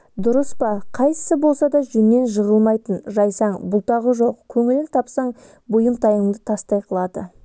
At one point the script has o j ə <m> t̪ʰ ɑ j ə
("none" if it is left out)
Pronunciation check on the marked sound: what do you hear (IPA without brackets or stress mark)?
m